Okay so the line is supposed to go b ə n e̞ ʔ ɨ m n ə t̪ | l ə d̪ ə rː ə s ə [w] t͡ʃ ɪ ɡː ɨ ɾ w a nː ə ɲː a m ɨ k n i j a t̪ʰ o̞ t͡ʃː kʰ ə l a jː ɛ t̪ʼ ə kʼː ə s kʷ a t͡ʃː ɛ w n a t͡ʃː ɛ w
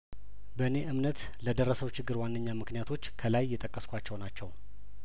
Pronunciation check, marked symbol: correct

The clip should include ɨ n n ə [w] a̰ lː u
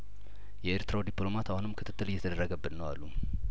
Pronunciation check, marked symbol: correct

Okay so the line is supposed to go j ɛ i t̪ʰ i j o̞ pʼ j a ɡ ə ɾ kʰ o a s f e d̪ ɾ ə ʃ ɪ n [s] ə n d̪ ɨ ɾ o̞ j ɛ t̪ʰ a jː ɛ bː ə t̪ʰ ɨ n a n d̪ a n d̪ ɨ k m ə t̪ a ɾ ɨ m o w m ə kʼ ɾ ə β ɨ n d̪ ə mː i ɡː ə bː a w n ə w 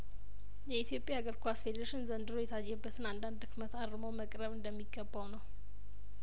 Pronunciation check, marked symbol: incorrect: z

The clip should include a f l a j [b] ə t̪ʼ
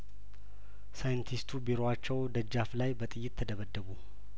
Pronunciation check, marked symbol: correct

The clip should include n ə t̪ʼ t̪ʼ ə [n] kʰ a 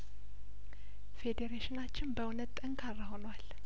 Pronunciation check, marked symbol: incorrect: ŋ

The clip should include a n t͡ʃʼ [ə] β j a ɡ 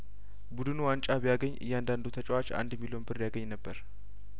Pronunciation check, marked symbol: incorrect: a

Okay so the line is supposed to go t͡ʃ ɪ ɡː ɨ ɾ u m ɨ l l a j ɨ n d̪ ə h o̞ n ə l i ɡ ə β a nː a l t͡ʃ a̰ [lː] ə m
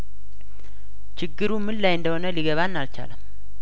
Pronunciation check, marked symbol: incorrect: l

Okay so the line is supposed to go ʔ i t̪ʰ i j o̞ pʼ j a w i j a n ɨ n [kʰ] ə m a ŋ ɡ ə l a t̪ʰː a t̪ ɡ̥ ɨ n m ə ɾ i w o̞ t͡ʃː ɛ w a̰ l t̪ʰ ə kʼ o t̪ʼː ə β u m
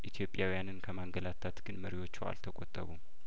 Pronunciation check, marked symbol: correct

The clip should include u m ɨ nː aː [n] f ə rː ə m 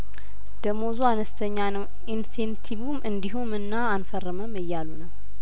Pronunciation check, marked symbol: correct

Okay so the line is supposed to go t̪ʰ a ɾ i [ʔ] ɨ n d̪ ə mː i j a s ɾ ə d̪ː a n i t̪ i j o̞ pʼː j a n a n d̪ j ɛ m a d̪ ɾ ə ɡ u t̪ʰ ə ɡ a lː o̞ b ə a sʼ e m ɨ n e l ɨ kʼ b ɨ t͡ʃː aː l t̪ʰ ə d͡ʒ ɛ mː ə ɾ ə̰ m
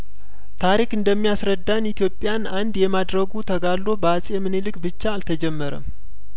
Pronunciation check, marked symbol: incorrect: k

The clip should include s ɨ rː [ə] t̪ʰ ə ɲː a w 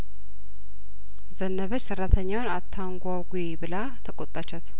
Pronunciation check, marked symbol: incorrect: a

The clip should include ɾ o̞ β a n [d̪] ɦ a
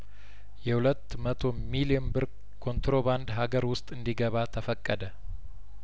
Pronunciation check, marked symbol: correct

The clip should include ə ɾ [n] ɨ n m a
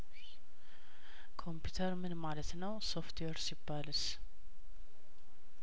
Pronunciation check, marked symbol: incorrect: m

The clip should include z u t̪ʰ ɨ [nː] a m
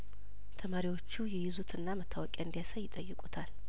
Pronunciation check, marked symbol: correct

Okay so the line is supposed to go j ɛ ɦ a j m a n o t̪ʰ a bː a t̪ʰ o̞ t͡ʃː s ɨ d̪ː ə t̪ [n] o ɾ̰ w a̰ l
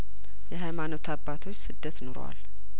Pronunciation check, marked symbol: correct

